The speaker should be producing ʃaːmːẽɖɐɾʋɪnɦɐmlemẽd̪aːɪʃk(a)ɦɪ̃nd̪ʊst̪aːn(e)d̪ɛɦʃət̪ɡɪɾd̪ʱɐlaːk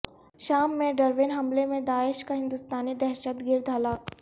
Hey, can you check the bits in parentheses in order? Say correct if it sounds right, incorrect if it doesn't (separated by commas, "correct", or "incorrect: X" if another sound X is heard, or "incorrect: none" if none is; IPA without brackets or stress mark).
correct, incorrect: i